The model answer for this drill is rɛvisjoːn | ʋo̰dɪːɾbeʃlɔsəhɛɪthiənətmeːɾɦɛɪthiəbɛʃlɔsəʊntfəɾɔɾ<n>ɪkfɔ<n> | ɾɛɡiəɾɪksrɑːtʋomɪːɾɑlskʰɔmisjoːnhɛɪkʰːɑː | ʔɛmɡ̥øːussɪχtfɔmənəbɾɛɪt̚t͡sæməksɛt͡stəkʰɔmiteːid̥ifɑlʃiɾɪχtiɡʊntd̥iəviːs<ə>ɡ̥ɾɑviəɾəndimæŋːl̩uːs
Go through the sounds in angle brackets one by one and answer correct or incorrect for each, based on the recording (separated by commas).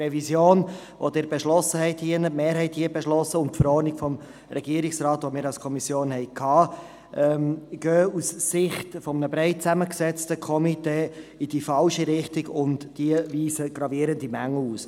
correct, incorrect, correct